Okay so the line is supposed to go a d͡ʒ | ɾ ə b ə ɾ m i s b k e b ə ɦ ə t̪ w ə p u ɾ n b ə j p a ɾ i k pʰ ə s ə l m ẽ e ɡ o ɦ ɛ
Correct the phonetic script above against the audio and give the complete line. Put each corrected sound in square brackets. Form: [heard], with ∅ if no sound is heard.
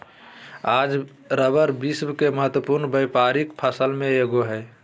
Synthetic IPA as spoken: a d͡ʒ | ɾ ə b ə ɾ [b] i s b k e [m] ə ɦ ə t̪ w ə p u ɾ n b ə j p a ɾ i k pʰ ə s ə l m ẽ e ɡ o ɦ ɛ